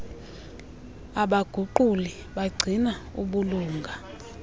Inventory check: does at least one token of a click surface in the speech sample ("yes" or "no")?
yes